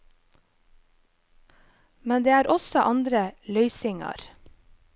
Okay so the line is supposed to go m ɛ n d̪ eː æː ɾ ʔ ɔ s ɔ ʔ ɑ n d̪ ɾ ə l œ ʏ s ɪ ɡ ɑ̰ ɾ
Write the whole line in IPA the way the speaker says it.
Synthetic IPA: m ɛ n d̪ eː æː ɾ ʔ ɔ s ɔ ʔ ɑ n d̪ ɾ ə l œ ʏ s ɪ ŋ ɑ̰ ɾ